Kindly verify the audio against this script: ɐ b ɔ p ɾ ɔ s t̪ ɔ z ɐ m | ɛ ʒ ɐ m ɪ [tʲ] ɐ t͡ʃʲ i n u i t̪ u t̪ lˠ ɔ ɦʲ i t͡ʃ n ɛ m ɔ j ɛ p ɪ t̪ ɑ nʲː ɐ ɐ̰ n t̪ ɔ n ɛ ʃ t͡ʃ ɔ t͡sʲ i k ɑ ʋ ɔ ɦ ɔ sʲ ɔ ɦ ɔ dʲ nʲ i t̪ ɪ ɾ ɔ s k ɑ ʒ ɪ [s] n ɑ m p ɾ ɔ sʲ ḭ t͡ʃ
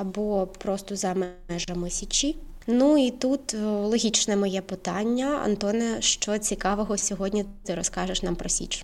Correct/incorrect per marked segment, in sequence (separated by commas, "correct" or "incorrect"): incorrect, incorrect